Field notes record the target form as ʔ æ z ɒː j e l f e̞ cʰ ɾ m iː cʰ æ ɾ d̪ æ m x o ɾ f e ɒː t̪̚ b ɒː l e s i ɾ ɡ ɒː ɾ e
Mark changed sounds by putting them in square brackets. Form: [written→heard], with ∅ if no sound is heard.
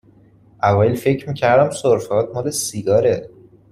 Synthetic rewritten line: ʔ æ [z→v] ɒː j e l f e̞ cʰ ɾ m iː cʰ æ ɾ d̪ æ m [x→s] o ɾ f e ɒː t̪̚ [b→m] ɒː l e s i [ɾ→∅] ɡ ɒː ɾ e